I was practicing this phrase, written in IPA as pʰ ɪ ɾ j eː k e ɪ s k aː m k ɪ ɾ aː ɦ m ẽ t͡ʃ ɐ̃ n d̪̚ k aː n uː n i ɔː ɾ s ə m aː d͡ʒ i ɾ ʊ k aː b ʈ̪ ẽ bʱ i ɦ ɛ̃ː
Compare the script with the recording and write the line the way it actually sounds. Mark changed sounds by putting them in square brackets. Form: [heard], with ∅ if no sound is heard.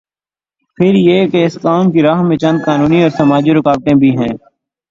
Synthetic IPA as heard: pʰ ɪ ɾ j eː k e ɪ s k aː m k [i] ɾ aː ɦ m ẽ t͡ʃ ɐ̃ n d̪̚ k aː n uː n i ɔː ɾ s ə m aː d͡ʒ i ɾ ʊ k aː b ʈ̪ ẽ bʱ i ɦ ɛ̃ː